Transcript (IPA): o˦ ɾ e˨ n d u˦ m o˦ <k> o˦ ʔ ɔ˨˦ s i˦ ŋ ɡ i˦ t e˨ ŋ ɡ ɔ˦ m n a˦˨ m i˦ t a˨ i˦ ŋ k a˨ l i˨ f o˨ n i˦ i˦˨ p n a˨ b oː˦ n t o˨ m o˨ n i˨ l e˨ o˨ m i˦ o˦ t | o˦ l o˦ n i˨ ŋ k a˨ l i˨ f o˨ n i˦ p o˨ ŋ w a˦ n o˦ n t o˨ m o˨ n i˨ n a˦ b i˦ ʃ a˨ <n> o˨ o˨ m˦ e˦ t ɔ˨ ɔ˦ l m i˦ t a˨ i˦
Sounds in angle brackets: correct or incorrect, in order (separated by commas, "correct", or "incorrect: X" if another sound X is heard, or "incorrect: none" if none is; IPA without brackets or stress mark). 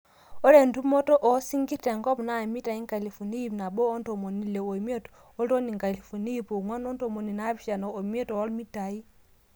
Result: incorrect: t, correct